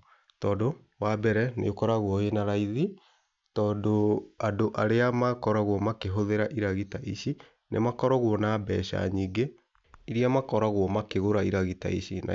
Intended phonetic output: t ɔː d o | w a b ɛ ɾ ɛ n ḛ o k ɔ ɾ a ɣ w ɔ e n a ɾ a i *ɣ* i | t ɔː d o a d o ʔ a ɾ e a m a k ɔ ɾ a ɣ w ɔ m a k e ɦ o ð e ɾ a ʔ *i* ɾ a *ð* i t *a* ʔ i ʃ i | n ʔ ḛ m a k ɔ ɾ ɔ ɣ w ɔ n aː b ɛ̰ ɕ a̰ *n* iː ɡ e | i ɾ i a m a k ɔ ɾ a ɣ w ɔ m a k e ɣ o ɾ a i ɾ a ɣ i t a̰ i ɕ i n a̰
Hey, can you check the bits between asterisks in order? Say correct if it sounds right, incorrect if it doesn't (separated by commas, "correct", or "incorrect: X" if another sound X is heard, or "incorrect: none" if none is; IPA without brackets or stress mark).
incorrect: ð, correct, incorrect: ɣ, correct, incorrect: ɲ